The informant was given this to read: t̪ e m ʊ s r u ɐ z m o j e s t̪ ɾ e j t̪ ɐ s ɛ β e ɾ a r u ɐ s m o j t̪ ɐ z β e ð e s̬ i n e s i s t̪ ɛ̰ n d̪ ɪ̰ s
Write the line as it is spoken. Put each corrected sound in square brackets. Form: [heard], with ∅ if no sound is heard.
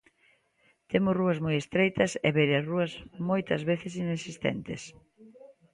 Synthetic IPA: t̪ e m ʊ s r u ɐ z m o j e s t̪ ɾ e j t̪ ɐ s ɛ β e ɾ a r u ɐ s m o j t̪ ɐ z β e [θ] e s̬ i n e s i s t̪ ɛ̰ n [t̪] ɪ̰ s